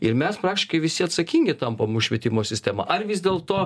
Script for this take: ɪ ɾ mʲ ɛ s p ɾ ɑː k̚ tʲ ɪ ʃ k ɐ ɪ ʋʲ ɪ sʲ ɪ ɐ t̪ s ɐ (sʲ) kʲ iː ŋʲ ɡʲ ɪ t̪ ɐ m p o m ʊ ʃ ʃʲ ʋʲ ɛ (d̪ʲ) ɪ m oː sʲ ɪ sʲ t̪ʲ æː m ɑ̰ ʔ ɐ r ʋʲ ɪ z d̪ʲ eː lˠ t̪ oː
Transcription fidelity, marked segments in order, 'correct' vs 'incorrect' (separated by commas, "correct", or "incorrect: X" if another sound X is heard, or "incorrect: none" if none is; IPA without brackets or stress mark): incorrect: none, incorrect: t̪ʲ